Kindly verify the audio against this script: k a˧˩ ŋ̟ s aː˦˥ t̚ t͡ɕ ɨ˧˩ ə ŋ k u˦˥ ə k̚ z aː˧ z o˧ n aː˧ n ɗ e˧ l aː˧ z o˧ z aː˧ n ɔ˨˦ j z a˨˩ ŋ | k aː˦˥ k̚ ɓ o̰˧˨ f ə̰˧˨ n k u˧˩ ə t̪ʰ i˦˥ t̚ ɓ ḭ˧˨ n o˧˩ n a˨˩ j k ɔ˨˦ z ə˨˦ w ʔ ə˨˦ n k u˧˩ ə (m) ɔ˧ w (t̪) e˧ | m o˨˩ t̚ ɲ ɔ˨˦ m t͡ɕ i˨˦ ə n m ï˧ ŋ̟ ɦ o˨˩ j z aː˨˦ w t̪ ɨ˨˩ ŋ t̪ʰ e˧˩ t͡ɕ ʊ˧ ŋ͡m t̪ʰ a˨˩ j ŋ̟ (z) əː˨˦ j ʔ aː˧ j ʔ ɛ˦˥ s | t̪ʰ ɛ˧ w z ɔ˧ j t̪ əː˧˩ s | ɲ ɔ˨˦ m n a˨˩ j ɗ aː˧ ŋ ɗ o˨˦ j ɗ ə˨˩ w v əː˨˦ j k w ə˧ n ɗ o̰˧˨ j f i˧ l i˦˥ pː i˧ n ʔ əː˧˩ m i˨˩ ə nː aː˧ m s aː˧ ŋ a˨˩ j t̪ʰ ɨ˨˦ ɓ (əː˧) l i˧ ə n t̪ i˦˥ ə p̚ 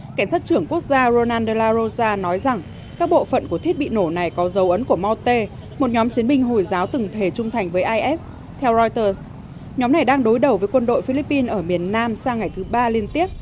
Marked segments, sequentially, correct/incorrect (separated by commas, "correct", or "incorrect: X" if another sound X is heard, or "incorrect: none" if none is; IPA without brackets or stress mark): correct, correct, incorrect: v, incorrect: aː˧